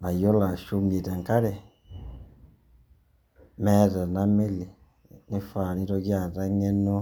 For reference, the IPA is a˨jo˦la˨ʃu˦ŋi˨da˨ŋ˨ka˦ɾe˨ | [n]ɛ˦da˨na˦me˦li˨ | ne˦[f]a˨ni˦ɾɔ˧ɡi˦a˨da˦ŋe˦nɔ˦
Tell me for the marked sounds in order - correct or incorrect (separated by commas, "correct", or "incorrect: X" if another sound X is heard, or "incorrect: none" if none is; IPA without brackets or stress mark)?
incorrect: m, correct